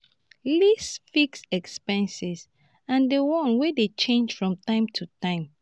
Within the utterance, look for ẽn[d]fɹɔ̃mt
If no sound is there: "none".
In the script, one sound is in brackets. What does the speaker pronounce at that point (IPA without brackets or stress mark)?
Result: d͡ʒ